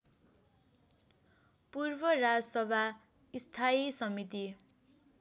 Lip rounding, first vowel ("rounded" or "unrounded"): rounded